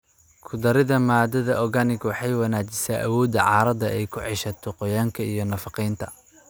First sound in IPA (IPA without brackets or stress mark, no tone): kʰ